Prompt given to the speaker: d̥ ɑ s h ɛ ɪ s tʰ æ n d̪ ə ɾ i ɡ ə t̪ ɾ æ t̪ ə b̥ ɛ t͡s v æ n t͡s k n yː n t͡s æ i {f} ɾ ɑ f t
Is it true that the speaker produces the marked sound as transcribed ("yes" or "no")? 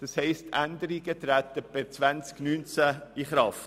no